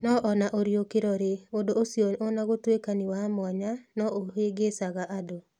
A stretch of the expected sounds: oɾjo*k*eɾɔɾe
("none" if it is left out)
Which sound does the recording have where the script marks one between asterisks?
k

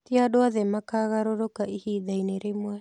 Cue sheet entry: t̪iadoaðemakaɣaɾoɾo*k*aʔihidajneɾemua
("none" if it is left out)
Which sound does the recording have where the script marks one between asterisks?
k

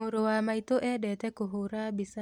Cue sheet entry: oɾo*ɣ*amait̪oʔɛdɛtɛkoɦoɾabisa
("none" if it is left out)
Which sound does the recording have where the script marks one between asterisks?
w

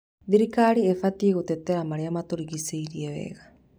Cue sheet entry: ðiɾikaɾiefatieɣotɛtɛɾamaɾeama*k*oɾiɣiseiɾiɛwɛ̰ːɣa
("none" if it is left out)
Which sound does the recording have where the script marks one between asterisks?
t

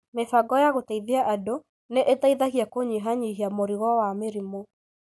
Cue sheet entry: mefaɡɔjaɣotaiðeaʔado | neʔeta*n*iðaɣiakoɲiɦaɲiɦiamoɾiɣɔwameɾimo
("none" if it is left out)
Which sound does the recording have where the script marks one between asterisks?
none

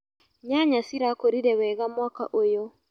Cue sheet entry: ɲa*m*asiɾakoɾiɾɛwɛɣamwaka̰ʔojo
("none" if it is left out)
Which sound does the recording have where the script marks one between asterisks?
ɲ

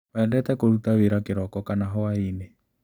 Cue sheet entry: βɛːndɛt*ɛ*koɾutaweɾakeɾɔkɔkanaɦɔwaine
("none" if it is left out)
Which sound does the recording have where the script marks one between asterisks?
ɛ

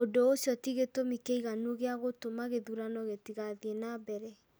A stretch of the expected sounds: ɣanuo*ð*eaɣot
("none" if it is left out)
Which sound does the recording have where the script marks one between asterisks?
ɣ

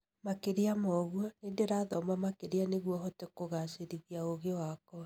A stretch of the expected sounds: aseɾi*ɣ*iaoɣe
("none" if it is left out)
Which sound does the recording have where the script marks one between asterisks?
ɣ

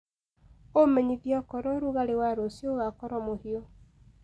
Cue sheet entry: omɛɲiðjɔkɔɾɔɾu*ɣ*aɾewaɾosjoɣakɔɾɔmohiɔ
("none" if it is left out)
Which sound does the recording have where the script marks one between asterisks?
ɣ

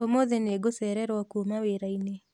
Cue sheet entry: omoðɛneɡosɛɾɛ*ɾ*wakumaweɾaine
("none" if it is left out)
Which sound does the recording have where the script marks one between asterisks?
ɾ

